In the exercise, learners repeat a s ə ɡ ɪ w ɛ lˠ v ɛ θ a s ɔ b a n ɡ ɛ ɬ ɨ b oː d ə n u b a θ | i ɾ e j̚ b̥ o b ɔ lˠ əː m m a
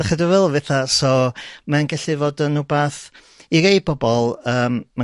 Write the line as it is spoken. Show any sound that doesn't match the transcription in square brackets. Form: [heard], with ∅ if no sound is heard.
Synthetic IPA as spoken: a [χ] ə [d] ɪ [v] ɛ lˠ v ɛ θ a s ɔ [m] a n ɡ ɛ ɬ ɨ [v] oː d ə n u b a θ | i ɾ e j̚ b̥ [ɔ] b ɔ lˠ əː m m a